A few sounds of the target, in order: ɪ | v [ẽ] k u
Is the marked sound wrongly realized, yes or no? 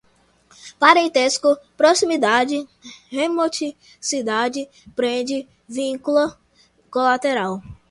yes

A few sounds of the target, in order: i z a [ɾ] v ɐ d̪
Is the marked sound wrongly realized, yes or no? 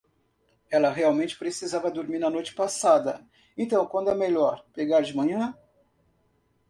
yes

